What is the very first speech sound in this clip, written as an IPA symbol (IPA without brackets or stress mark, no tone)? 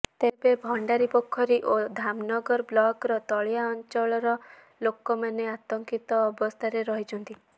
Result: t̪